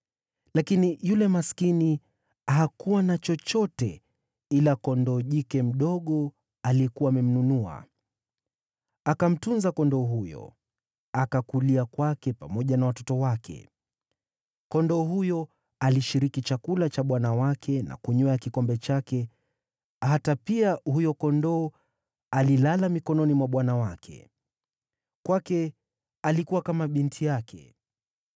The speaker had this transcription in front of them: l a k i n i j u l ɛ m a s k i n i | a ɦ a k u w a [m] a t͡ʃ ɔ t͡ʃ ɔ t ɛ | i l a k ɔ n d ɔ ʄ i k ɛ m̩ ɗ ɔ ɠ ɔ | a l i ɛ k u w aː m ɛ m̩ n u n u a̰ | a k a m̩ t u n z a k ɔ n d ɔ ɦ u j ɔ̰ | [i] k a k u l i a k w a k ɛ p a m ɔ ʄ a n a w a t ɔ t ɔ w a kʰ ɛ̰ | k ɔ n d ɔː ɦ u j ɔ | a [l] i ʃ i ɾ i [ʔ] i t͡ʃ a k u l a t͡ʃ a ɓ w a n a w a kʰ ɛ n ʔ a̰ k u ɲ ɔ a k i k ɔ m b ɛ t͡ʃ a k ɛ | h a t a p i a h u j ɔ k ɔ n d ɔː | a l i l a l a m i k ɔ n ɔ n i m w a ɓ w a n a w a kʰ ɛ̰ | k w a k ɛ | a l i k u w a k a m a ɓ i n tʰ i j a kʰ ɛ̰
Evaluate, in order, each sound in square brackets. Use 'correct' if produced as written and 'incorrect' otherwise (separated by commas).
incorrect, incorrect, correct, incorrect